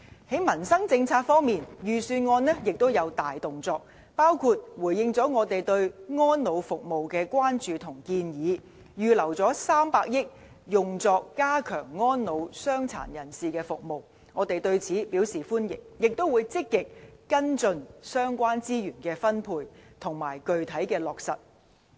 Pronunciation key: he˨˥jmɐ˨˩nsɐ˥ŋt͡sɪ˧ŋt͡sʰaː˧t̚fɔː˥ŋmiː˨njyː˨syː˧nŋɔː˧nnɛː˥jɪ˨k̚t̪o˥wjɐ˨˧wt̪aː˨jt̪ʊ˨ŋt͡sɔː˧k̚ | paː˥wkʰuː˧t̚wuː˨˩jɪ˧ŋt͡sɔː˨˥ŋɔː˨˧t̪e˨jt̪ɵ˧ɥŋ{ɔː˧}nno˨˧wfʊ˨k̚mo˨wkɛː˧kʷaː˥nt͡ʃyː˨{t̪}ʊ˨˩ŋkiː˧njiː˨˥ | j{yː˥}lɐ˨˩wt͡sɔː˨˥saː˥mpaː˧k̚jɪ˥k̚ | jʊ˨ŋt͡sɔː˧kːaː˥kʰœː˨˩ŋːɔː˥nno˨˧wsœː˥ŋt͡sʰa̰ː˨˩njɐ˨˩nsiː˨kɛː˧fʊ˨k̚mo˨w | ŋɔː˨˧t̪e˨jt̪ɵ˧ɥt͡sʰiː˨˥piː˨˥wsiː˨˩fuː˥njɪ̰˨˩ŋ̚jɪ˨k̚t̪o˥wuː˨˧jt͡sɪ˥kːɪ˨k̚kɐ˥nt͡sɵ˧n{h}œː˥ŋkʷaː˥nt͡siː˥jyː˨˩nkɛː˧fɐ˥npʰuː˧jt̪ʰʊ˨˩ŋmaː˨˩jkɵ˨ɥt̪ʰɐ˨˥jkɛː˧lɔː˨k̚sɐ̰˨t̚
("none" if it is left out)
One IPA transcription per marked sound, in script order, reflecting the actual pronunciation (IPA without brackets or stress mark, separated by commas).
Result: ɔː˥, t̪ʰ, yː˨, s